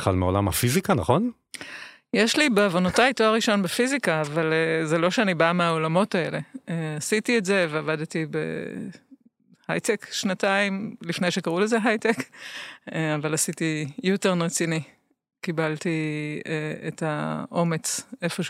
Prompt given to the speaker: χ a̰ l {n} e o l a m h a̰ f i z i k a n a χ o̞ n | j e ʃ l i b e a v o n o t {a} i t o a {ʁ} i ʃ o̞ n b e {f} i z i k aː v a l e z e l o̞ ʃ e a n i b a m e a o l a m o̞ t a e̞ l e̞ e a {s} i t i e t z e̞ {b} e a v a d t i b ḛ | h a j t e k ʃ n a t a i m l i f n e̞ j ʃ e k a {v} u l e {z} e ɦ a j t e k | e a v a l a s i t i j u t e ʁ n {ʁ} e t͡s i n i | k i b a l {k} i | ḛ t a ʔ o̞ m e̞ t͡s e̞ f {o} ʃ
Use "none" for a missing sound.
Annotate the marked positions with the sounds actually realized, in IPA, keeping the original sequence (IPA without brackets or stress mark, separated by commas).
m, a, ʁ, f, s, v, ʁ, z, ʁ, t, o